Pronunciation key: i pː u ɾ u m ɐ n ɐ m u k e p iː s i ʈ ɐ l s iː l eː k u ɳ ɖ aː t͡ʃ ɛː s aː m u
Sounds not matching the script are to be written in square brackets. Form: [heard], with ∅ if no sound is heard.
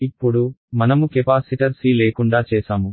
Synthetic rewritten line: i pː u [ɽ] u m ɐ n ɐ m u k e p [aː] s i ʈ ɐ [ɾ] s iː l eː k u ɳ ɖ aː t͡ʃ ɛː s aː m u